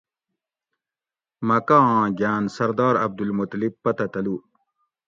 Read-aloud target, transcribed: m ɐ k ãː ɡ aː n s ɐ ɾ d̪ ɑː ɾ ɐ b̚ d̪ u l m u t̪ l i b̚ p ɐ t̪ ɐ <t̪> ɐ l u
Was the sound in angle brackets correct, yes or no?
yes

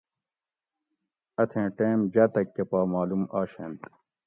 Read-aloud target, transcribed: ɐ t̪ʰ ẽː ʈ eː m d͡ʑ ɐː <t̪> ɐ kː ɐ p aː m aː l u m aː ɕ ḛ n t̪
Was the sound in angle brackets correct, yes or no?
yes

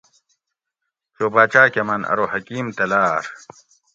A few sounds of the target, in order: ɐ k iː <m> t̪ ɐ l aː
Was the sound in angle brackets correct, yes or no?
yes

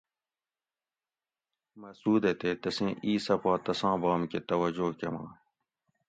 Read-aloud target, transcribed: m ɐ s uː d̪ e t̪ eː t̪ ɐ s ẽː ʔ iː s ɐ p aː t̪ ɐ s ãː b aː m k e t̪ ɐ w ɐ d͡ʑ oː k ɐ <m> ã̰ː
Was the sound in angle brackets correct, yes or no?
yes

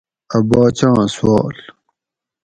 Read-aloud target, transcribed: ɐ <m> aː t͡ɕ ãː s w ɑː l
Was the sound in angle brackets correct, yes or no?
no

